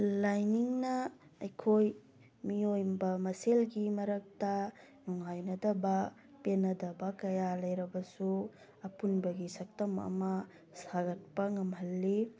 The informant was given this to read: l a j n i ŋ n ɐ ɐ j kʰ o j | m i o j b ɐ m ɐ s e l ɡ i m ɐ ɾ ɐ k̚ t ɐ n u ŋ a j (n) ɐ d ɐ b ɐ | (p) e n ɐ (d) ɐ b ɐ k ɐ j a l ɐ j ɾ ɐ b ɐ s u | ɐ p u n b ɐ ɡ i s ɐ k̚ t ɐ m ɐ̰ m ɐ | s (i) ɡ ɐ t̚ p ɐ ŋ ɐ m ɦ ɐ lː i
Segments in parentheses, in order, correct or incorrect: correct, correct, correct, incorrect

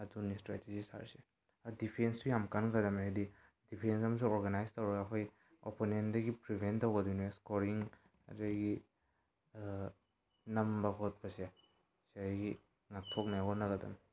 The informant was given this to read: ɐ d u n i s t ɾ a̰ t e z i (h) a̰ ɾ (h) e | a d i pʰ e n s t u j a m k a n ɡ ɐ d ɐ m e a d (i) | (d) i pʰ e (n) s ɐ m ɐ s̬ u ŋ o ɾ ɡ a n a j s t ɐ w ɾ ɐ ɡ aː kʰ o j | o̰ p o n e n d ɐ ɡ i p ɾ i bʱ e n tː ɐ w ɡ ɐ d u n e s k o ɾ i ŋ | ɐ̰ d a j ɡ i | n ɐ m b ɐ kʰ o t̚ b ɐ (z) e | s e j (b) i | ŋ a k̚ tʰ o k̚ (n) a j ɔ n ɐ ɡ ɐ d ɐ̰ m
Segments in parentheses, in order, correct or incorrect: incorrect, incorrect, correct, correct, correct, incorrect, incorrect, correct

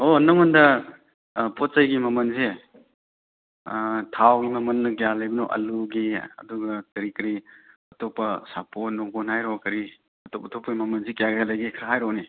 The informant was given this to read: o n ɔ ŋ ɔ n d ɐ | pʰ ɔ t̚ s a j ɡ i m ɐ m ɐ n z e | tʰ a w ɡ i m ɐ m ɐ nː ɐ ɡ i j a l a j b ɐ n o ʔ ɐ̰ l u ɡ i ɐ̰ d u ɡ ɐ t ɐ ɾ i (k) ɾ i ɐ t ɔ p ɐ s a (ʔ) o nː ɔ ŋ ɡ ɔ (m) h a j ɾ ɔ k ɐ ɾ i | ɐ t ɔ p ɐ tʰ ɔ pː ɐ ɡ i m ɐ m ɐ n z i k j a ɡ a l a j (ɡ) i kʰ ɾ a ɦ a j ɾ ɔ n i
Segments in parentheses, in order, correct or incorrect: correct, incorrect, incorrect, correct

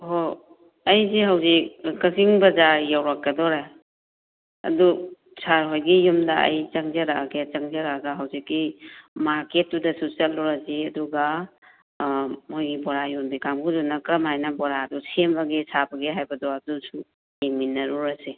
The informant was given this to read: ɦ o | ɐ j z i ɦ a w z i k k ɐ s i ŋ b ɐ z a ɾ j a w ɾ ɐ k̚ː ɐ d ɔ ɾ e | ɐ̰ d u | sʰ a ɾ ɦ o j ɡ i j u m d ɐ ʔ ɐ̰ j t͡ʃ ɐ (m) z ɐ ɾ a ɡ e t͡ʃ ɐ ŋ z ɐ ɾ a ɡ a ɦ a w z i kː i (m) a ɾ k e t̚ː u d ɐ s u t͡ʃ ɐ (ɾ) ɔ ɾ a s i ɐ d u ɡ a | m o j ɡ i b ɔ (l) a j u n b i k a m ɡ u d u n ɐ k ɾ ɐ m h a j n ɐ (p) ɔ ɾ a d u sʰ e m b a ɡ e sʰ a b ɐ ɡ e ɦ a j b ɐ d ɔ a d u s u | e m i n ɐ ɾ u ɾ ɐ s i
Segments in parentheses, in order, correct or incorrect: incorrect, correct, incorrect, incorrect, incorrect

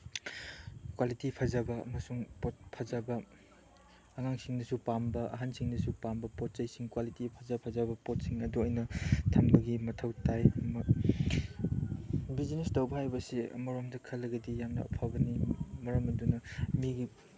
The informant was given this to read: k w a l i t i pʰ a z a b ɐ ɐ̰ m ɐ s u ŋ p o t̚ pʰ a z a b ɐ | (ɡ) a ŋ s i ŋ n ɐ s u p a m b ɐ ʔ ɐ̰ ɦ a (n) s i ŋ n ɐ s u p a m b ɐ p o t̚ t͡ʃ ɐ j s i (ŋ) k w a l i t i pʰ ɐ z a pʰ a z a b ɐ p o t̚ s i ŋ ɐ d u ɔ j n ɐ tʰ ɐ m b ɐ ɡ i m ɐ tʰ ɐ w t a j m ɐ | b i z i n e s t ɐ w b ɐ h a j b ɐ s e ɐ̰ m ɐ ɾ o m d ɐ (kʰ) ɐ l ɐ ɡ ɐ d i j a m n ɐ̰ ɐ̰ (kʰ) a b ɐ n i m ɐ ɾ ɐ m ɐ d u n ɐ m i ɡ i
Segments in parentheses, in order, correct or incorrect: incorrect, correct, correct, correct, incorrect

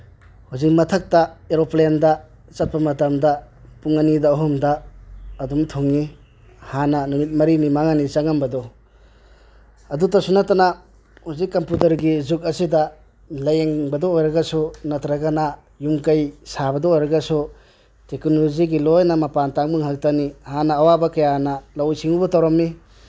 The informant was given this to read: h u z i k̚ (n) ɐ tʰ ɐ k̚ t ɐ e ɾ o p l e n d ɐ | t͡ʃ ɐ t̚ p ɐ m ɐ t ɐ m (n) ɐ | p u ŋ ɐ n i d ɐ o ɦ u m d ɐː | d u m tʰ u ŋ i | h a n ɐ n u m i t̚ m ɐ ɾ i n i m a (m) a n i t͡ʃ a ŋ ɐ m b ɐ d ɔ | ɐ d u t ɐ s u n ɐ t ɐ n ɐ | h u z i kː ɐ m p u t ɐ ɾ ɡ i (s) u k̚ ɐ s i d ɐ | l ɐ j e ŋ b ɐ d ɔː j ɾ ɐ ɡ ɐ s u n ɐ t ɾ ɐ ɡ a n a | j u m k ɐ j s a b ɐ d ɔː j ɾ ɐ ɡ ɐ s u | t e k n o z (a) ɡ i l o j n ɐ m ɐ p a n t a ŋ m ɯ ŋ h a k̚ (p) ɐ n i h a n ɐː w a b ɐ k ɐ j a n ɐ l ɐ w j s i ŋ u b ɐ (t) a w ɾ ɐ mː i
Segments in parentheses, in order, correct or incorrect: incorrect, incorrect, incorrect, incorrect, incorrect, incorrect, correct

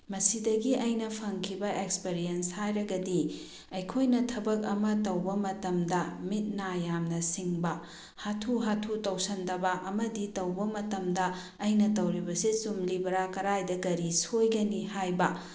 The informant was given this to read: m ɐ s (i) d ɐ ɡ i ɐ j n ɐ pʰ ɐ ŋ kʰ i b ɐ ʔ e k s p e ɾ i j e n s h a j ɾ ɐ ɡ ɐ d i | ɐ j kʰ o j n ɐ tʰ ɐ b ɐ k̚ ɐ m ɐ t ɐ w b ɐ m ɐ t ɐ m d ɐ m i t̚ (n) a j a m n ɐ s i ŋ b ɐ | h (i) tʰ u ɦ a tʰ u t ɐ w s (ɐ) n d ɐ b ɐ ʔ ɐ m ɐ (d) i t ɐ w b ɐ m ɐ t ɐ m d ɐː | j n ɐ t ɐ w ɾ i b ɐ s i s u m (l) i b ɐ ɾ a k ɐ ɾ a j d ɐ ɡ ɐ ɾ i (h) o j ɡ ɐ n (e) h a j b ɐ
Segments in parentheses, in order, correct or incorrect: correct, correct, incorrect, correct, correct, correct, incorrect, incorrect

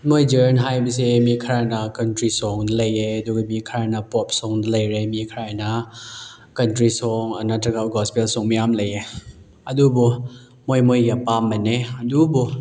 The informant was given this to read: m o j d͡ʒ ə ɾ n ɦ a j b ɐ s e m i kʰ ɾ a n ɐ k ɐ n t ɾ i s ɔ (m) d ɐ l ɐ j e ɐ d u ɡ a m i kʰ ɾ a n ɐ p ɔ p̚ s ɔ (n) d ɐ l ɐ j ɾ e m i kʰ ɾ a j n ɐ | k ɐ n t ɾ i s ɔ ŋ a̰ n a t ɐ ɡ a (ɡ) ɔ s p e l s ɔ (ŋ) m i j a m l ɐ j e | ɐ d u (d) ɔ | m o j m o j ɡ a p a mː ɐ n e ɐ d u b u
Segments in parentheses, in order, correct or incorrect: incorrect, incorrect, correct, correct, incorrect

